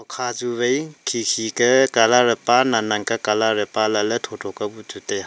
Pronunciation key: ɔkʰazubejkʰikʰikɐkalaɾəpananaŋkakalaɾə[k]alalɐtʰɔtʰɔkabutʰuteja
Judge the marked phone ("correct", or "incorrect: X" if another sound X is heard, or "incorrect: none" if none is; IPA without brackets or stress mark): incorrect: p